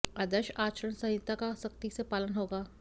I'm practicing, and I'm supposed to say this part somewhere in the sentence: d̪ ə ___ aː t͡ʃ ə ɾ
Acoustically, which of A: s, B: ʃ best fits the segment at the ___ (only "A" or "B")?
B